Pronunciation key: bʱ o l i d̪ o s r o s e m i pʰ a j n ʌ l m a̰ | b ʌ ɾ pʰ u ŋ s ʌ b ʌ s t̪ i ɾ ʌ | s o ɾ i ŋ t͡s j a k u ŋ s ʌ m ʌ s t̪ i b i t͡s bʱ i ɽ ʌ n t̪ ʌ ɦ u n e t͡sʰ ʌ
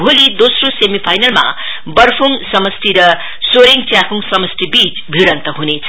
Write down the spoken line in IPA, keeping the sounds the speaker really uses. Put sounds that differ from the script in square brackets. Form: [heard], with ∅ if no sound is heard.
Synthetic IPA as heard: bʱ o l i d̪ o s r o s e m i pʰ a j n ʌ l m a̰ | b ʌ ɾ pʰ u ŋ s ʌ [m] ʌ s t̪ i ɾ ʌ | s o ɾ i ŋ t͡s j a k u ŋ s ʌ m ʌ s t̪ i b i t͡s bʱ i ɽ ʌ n t̪ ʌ ɦ u n e t͡sʰ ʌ